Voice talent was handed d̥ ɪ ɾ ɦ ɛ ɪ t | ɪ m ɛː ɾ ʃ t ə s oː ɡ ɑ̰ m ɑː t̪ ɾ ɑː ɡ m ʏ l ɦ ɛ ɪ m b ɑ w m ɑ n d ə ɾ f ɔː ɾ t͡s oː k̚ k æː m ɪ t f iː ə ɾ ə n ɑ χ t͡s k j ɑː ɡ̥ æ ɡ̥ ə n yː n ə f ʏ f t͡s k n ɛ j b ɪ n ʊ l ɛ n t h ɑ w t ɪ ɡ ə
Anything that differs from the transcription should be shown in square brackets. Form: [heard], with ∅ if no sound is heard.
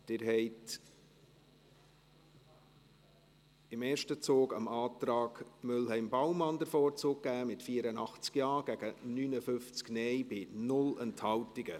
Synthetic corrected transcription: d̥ ɪ ɾ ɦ ɛ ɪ t | ɪ m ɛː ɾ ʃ t ə [t͡s] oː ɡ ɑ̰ m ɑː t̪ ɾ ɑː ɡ m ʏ l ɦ ɛ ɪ m b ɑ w m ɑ n d ə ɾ f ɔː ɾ t͡s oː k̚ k æː m ɪ t f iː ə ɾ ə n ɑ χ t͡s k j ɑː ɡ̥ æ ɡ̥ ə n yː n ə f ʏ f t͡s k n ɛ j b ɪ n ʊ l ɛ n t h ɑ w t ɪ ɡ ə